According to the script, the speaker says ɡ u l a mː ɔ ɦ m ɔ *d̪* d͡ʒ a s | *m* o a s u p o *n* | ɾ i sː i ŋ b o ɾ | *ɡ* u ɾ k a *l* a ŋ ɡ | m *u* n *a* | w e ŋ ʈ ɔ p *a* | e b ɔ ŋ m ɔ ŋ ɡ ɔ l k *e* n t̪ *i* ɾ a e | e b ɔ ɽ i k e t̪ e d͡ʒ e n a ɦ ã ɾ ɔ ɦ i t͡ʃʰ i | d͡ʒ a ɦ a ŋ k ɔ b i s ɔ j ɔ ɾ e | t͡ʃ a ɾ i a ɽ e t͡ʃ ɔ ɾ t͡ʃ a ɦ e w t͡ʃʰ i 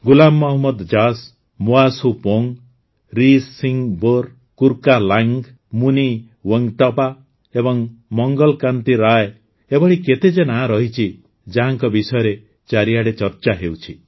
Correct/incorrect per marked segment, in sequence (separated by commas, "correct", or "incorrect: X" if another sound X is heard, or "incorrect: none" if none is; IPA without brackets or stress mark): correct, correct, incorrect: ŋ, incorrect: k, correct, correct, incorrect: i, correct, incorrect: a, correct